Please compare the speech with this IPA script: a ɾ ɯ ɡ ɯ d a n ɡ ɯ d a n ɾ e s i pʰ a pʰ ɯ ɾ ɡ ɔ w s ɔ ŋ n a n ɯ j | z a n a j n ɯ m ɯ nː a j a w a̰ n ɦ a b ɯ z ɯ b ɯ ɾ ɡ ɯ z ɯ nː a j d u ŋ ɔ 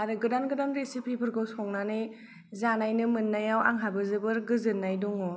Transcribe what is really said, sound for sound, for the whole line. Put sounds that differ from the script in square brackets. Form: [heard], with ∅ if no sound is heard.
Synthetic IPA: a ɾ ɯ ɡ ɯ d a n ɡ ɯ d a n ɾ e s i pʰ [i] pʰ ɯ ɾ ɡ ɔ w s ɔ ŋ n a n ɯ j | z a n a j n ɯ m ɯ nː a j a w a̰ [ŋ] ɦ a b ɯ z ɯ b ɯ ɾ ɡ ɯ z ɯ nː a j d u ŋ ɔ